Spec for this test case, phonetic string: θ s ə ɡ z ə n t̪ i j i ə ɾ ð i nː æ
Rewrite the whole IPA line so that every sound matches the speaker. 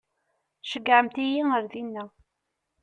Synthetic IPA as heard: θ ʃ ə ɡ ʕ ə m t̪ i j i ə ɾ ð i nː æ